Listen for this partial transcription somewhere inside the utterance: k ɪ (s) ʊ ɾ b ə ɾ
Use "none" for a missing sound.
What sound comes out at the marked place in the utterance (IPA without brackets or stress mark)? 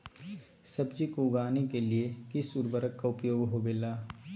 s